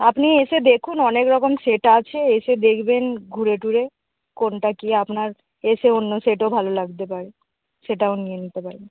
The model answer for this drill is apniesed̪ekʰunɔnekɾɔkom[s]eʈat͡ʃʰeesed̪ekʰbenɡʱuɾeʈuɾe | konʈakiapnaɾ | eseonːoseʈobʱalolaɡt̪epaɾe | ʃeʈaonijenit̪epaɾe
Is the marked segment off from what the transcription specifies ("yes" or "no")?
no